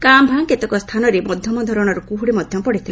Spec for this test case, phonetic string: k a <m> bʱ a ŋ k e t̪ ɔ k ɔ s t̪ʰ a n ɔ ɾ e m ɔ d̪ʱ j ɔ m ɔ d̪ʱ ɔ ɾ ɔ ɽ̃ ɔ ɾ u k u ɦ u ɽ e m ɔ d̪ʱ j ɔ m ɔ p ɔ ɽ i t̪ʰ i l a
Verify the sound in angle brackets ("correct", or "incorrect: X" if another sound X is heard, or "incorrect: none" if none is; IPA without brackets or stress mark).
correct